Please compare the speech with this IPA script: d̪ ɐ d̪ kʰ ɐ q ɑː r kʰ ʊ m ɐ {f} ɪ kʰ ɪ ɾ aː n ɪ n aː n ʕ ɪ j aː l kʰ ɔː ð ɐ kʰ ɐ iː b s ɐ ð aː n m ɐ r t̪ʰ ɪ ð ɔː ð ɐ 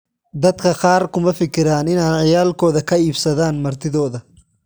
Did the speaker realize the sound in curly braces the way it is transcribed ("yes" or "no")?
yes